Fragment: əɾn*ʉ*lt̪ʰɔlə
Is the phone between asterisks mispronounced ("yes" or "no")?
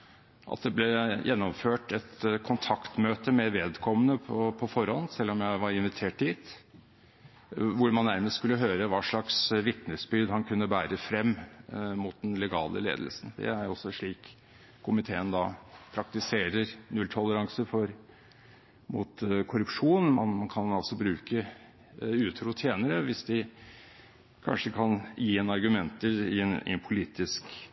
no